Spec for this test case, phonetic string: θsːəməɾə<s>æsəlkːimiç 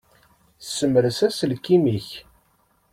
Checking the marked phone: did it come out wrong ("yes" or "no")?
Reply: no